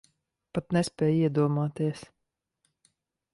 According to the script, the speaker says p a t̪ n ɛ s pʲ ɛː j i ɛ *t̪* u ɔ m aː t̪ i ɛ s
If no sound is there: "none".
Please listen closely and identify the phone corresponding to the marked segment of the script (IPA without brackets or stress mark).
d̪